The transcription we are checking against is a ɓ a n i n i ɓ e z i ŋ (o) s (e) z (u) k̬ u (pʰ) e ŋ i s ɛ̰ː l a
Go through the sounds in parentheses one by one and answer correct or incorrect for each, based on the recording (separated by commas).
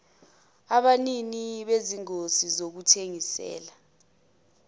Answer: correct, incorrect, incorrect, incorrect